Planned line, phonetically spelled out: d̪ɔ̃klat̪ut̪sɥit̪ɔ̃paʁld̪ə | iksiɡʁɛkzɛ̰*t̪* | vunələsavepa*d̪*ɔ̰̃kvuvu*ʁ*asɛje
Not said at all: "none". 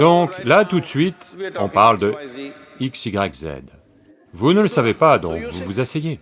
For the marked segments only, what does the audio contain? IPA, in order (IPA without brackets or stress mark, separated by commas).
d̪, d̪, z